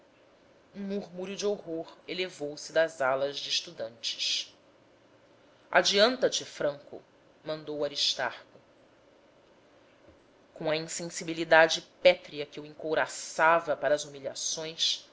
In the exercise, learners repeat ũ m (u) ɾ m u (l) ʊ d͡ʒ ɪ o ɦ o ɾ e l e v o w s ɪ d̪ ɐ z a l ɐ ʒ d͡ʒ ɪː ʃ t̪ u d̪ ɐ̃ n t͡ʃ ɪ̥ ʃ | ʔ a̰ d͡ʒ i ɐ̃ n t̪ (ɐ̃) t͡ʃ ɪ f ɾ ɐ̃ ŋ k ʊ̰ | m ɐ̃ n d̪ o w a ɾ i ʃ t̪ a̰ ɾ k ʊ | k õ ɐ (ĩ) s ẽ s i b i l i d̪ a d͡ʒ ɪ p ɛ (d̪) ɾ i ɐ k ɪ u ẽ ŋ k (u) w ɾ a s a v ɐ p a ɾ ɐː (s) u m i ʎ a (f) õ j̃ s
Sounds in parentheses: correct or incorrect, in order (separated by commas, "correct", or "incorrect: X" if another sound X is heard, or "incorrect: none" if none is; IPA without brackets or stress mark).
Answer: correct, incorrect: ɾ, incorrect: ɐ, correct, incorrect: t̪, incorrect: o, incorrect: z, incorrect: s